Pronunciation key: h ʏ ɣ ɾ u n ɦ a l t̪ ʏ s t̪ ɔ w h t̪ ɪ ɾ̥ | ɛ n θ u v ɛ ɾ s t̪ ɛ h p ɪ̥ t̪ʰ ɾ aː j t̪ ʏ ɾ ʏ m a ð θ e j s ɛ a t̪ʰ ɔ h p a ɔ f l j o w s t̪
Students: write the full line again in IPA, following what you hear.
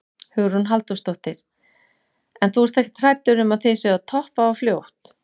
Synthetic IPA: h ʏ ɣ ɾ u n ɦ a l t̪ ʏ s t̪ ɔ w h t̪ ɪ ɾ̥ | ɛ n θ u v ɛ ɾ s t̪ ɛ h c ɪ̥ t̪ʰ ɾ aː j t̪ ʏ ɾ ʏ m a ð θ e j s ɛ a t̪ʰ ɔ h p a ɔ f l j o w h t̪